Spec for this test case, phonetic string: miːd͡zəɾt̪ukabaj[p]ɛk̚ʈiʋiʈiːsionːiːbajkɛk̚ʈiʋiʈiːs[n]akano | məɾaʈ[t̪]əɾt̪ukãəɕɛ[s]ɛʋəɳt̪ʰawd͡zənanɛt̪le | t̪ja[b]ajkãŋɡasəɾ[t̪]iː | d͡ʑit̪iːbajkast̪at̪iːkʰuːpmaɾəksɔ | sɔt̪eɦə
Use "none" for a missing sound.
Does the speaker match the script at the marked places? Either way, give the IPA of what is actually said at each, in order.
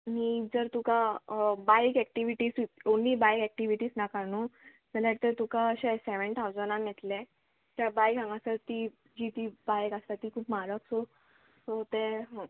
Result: k, n, t̪, s, b, t̪

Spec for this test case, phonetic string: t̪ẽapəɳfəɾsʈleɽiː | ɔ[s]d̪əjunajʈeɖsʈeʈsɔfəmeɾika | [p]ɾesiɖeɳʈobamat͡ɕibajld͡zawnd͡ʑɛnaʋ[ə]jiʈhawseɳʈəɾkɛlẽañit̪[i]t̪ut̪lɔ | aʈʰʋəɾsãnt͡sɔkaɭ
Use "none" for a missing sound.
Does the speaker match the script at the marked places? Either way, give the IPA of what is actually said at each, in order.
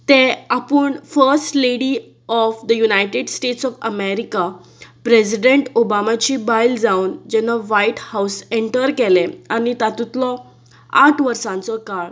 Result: f, p, a, a

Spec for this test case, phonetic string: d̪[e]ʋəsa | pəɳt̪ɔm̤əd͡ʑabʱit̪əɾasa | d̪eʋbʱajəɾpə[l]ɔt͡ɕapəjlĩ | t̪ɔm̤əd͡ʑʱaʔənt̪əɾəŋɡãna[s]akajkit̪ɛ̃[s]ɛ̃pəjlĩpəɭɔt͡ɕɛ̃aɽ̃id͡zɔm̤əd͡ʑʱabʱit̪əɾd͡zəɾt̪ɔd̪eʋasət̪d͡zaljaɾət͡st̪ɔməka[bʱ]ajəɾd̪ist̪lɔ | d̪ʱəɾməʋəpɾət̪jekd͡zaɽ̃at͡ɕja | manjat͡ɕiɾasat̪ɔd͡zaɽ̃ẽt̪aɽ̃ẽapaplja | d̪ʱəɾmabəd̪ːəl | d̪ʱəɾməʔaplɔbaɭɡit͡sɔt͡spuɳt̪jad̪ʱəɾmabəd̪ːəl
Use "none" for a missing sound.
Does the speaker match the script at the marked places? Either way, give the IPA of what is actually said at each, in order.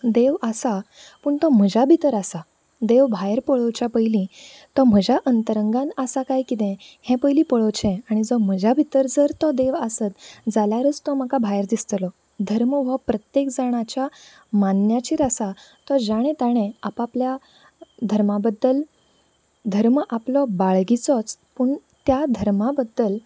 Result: e, ɭ, s, h, bʱ

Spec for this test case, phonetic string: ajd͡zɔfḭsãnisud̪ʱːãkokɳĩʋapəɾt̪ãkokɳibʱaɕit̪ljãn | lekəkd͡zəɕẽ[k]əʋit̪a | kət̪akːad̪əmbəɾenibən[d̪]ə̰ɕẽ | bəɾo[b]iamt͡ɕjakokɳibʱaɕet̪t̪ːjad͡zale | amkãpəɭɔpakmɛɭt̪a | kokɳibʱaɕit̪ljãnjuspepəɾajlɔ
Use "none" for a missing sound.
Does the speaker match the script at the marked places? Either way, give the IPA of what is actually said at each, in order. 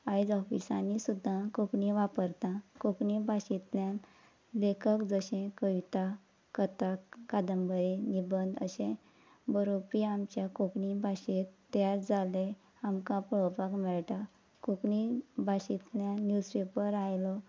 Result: k, d̪, p

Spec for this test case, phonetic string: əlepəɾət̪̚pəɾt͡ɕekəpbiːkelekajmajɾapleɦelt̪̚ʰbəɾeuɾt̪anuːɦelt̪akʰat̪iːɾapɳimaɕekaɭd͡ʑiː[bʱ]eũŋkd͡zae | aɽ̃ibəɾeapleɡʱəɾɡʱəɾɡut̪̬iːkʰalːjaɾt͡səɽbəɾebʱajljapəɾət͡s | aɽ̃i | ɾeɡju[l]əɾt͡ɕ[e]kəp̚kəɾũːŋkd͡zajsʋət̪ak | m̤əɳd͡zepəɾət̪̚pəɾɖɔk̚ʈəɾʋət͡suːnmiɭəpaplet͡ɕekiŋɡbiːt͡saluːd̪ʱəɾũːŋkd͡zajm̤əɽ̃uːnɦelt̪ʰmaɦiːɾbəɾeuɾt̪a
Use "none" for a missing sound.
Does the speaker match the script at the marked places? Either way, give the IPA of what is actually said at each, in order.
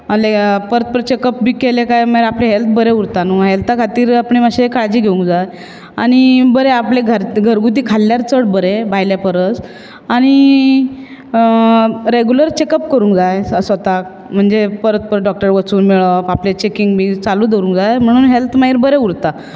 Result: ɡʱ, l, e

